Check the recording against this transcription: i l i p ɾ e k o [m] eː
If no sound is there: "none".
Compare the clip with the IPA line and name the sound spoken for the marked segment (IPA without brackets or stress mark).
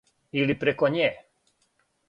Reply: ɲ